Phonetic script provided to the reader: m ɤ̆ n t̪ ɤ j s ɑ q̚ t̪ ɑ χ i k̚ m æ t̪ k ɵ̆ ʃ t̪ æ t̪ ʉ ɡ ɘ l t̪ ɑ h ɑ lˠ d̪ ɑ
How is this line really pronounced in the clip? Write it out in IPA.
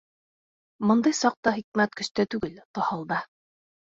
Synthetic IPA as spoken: m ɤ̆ n d̪ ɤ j s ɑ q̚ t̪ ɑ χ i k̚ m æ t̪ k ɵ̆ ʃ t̪ æ t̪ ʉ ɡ ɘ l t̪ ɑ h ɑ lˠ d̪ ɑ